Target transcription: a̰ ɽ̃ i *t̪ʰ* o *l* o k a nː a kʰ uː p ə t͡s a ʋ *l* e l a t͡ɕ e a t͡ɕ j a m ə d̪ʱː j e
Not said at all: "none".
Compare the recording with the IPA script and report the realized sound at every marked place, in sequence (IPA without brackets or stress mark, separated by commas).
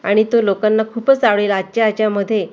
t̪, l, ɭ